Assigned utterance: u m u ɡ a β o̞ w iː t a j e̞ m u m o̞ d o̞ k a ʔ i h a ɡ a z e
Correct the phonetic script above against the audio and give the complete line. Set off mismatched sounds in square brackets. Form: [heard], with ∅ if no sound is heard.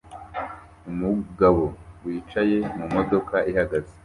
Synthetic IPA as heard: u m u ɡ a β o̞ w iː [t͡ʃ] a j e̞ m u m o̞ d o̞ k a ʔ i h a ɡ a z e